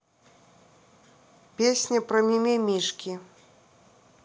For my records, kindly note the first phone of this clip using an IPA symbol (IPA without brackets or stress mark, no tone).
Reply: pʲ